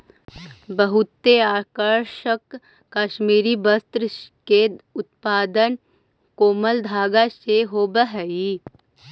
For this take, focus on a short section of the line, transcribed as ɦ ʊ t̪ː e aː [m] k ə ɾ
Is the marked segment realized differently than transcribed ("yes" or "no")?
yes